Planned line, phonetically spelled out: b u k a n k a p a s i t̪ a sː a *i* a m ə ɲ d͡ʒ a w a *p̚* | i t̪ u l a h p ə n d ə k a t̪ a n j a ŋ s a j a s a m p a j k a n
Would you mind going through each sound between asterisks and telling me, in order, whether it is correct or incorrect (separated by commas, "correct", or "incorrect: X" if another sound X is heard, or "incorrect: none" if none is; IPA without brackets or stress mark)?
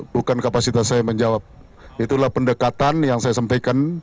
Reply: incorrect: j, correct